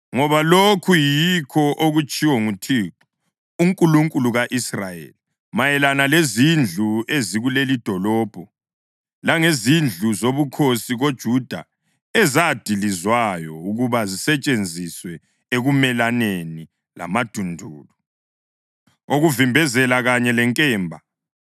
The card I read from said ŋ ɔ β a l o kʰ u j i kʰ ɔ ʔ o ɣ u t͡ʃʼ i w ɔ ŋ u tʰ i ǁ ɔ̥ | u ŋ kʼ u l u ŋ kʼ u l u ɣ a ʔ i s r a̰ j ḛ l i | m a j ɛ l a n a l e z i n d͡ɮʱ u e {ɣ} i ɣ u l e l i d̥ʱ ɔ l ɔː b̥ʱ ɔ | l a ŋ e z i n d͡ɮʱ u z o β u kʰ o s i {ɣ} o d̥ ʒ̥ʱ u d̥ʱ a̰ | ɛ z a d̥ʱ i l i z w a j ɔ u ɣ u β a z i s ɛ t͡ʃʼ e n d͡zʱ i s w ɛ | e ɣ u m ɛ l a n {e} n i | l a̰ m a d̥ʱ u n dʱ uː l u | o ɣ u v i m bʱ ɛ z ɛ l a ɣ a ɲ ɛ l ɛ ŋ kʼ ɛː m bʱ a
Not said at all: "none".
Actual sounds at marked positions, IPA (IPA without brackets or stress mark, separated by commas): z, ɣ, e